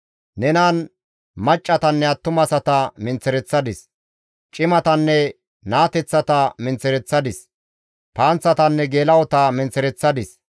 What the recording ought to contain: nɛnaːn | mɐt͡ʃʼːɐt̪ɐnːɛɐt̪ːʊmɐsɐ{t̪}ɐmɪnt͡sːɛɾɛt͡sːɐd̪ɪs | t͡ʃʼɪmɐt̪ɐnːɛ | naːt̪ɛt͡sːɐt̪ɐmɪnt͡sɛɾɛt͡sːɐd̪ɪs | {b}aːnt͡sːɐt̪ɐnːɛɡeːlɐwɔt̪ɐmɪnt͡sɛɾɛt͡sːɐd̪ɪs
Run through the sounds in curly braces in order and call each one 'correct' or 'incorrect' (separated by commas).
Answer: correct, incorrect